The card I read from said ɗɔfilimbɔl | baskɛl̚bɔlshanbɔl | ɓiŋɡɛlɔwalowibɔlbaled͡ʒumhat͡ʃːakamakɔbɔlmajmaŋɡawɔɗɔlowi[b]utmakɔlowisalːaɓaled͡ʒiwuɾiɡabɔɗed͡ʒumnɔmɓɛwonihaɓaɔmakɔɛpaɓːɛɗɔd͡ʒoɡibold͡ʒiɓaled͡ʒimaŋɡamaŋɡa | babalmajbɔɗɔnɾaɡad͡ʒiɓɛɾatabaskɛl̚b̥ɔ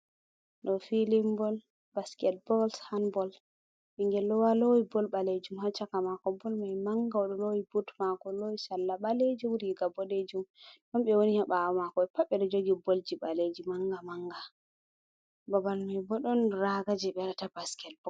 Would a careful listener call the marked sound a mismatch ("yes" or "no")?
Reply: no